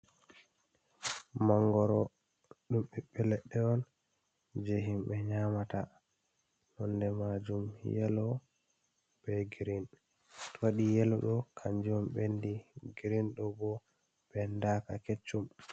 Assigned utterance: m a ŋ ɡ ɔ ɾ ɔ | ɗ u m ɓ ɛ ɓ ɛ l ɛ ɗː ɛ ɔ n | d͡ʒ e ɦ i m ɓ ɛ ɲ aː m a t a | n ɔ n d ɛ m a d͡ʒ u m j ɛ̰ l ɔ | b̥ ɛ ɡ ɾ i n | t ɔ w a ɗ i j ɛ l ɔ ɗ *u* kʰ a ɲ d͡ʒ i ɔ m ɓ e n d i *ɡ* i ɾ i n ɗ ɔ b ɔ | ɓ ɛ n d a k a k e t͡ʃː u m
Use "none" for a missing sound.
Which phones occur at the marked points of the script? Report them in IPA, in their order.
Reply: ɔ, ɡ

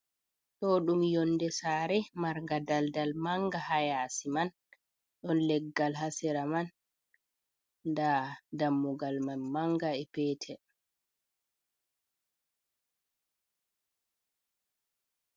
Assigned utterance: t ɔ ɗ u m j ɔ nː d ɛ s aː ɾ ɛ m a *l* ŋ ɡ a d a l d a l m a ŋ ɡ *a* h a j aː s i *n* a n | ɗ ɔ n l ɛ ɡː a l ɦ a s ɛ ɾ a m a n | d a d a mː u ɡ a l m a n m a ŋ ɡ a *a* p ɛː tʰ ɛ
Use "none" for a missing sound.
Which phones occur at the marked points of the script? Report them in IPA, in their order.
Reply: ɾ, a, m, ɛ

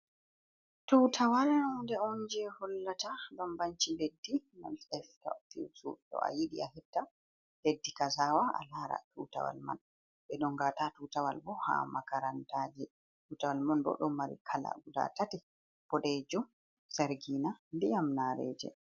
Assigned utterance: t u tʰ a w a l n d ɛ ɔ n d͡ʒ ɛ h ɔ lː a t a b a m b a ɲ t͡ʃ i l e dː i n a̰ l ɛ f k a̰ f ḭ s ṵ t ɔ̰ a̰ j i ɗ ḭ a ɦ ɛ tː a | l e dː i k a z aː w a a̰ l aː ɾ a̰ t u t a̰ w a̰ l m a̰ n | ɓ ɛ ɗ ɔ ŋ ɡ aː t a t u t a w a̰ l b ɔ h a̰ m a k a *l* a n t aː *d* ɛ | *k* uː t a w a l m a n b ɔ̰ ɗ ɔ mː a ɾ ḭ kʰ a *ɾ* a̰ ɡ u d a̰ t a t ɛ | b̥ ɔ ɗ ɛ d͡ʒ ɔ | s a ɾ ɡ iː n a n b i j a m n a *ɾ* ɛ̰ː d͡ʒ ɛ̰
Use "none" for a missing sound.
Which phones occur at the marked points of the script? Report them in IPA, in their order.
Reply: ɾ, d͡ʒ, t, l, ɾ

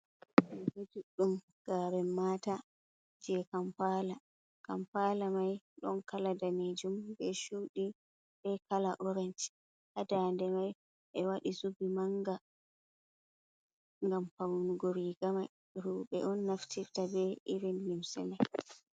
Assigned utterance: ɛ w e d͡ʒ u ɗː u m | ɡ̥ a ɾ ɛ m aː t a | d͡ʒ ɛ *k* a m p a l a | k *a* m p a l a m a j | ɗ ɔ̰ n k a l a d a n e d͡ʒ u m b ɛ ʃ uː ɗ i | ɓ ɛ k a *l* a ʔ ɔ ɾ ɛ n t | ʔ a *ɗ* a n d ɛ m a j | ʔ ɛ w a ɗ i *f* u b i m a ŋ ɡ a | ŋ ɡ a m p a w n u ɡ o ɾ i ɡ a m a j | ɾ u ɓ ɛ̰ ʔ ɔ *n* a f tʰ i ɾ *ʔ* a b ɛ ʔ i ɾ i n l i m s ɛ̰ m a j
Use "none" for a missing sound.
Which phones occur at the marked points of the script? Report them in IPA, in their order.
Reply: k, a, l, d, s, nː, t

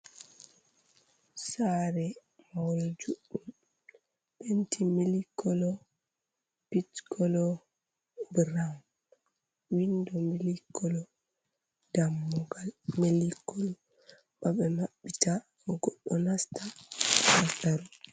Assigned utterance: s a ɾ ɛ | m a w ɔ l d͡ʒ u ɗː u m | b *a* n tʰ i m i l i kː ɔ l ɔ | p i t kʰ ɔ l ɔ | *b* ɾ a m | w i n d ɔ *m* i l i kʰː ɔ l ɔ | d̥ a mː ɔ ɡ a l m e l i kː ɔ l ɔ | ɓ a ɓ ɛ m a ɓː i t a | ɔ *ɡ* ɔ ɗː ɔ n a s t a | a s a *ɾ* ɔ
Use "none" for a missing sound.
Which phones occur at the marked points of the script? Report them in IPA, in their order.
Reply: e, b, m, ɡ, ɾ

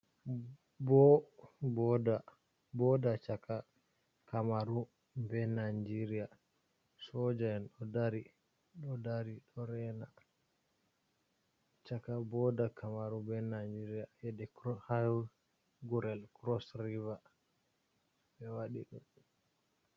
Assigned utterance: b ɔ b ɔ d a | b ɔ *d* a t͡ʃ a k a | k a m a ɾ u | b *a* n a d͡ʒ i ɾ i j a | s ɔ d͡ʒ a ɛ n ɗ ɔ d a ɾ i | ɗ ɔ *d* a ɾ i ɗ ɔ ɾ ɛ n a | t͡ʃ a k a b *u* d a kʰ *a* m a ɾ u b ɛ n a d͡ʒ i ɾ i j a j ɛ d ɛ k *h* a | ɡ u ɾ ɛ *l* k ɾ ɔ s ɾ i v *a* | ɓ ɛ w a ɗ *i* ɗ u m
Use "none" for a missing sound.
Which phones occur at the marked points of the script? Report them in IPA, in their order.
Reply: d, ɛ, d, ɔ, a, h, l, a, i

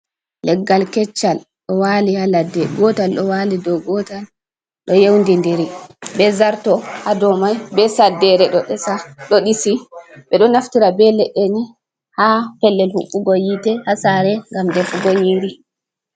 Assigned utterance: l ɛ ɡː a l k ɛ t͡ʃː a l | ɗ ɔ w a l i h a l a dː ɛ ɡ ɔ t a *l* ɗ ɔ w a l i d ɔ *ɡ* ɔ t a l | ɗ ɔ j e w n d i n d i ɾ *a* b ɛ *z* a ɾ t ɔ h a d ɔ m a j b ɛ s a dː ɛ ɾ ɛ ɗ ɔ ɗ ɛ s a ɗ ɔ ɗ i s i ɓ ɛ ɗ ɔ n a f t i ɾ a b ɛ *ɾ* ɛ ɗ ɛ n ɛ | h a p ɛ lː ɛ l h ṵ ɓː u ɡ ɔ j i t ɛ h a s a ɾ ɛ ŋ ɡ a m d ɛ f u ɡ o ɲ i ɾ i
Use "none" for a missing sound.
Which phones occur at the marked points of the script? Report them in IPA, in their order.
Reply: l, ɡ, i, z, l

